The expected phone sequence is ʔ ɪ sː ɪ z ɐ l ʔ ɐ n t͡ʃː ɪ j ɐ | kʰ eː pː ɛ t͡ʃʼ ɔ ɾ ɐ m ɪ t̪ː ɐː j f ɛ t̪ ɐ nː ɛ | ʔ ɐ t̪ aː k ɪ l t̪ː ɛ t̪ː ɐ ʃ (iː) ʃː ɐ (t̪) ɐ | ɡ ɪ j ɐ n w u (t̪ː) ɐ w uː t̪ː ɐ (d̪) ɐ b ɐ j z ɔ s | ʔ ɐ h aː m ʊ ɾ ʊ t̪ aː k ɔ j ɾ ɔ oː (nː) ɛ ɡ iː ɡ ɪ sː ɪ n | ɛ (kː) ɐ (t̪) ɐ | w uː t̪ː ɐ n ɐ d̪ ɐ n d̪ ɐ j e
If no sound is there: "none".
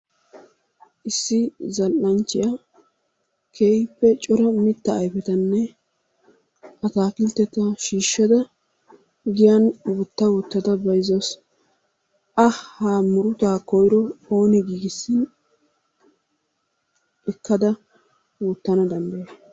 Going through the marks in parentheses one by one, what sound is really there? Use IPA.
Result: iː, d̪, t̪ː, d̪, n, kː, d̪

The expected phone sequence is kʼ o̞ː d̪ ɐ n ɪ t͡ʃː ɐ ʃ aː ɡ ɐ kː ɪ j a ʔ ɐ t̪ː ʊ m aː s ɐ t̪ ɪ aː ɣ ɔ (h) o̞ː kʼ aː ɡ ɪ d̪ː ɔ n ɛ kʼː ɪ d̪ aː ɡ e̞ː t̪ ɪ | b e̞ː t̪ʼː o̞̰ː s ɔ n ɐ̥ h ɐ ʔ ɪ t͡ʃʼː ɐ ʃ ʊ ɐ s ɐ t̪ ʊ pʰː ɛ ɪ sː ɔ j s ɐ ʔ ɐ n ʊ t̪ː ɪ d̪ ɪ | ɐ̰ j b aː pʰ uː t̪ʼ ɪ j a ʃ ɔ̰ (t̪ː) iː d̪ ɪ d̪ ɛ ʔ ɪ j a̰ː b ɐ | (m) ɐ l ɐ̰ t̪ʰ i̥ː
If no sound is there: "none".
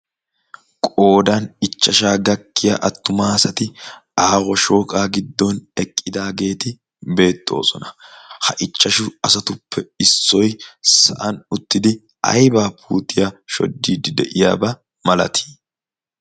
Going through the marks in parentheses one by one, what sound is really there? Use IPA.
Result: ʃ, d̪ː, m

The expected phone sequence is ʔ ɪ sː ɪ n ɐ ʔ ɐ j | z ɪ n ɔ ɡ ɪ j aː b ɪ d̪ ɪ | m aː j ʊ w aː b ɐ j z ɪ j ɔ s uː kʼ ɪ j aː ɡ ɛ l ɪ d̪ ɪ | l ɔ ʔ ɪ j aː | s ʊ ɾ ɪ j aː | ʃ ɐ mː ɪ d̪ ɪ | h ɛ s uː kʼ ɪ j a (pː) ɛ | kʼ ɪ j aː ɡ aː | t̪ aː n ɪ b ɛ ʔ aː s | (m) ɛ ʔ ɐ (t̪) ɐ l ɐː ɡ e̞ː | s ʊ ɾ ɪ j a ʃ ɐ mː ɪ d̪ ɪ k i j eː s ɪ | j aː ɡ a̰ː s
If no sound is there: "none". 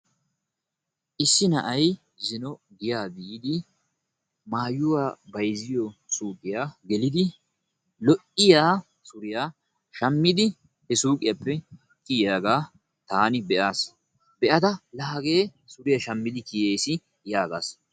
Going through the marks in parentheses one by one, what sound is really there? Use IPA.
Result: pː, b, t̪

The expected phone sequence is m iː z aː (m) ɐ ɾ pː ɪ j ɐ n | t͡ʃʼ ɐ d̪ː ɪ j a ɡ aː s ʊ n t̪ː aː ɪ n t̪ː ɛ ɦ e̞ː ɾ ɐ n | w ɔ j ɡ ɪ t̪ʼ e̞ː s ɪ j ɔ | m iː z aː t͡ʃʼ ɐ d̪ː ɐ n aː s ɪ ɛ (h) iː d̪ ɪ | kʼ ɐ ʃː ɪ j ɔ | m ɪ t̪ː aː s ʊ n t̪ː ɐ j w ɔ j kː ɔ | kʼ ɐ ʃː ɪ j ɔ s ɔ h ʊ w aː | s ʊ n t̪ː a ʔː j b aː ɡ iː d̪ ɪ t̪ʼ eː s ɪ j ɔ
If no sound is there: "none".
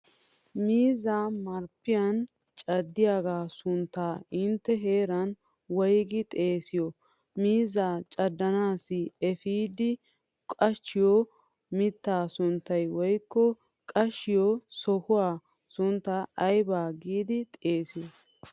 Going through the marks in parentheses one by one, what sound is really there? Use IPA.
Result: m, f

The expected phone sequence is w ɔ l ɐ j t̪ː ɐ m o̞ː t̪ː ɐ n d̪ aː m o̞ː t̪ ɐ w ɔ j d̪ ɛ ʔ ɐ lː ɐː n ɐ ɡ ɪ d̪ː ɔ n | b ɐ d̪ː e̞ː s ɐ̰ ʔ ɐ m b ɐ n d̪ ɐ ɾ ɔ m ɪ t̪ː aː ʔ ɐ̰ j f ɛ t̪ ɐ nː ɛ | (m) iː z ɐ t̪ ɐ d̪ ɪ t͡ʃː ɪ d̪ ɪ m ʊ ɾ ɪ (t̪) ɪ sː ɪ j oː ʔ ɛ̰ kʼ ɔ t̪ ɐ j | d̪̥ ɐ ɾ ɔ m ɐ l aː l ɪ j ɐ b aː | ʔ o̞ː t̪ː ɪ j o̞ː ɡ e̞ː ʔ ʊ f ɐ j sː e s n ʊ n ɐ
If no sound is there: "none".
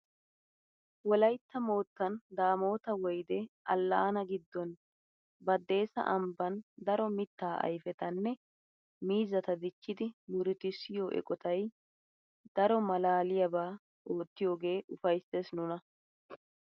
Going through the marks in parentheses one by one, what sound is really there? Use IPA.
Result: m, t̪

